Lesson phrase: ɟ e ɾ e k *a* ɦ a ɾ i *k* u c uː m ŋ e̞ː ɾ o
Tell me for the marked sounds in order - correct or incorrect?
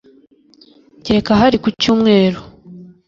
correct, correct

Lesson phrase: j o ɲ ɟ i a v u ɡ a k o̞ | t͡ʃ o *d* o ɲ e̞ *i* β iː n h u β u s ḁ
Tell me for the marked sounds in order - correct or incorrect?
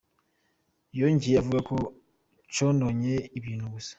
incorrect: n, correct

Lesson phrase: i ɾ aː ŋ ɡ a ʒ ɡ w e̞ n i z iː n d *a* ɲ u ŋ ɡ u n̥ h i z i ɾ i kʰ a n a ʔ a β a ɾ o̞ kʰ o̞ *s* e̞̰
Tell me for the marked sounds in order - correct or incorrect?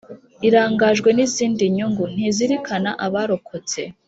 incorrect: i, incorrect: t͡s

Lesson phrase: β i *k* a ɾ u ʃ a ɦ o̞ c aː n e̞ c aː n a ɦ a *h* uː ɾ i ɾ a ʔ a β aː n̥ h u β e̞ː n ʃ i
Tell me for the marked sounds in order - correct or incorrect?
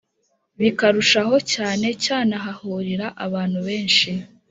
correct, correct

